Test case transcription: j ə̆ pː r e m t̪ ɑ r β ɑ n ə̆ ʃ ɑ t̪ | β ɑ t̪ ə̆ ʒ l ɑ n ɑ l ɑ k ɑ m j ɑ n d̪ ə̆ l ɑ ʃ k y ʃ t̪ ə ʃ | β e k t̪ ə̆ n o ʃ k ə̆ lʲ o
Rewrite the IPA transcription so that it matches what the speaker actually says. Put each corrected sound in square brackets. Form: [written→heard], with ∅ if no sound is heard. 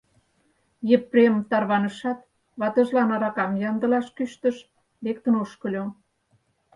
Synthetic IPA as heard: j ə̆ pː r e m t̪ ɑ r β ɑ n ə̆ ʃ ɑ t̪ | β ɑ t̪ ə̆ ʒ l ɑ n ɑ [l→ɾ] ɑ k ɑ m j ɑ n d̪ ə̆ l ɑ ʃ k y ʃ t̪ ə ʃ | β e k t̪ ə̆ n o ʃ k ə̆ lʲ o